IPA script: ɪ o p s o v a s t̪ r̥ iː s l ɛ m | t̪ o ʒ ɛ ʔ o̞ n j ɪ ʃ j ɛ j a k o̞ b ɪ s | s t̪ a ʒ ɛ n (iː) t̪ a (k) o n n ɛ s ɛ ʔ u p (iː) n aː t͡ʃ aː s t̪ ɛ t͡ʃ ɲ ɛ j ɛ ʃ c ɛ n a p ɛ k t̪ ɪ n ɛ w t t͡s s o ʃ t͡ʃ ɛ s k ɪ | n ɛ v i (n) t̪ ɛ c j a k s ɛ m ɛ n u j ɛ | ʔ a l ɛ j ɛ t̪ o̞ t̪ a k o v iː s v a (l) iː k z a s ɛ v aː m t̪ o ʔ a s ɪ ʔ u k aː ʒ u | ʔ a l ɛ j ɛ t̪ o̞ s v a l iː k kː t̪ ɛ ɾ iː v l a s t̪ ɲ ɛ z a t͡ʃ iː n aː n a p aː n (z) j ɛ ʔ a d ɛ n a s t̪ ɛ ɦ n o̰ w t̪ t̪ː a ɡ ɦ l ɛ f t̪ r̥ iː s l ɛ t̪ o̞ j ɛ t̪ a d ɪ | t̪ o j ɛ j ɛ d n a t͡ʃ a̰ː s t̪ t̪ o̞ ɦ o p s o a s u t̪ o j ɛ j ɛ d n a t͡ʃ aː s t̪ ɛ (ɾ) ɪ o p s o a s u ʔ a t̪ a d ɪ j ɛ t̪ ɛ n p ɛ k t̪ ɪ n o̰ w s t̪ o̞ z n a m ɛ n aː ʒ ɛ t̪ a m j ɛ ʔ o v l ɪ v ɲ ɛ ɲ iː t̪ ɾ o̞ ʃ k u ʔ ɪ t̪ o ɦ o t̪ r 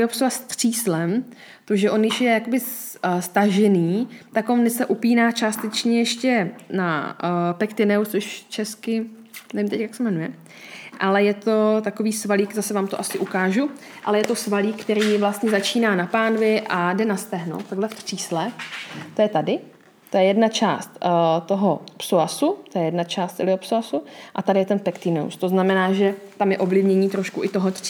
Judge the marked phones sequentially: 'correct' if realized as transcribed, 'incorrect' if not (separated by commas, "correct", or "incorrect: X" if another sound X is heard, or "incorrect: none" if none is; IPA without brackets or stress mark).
correct, correct, correct, incorrect: m, correct, incorrect: v, incorrect: l